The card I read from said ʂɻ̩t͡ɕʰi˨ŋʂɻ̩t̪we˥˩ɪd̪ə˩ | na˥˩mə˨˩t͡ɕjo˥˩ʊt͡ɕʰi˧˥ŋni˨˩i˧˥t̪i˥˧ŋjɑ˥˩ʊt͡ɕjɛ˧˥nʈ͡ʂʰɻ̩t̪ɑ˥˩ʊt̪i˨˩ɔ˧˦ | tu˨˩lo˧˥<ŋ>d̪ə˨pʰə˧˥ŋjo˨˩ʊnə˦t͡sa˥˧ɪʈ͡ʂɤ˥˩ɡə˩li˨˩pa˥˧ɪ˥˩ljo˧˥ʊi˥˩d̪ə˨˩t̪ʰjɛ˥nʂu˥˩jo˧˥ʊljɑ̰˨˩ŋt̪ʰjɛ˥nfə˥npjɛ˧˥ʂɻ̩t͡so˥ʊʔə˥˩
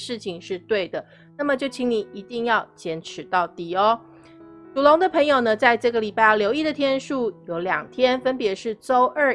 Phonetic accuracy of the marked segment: correct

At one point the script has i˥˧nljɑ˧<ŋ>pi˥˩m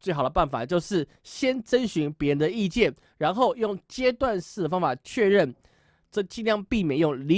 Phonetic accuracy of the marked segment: correct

